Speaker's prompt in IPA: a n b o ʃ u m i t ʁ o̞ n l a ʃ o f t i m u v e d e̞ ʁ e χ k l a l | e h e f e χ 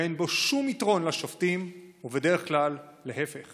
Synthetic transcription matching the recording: e n b o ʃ u m i t ʁ o̞ n l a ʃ o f t i m u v e d e̞ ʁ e χ k l a lː | e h e f e χ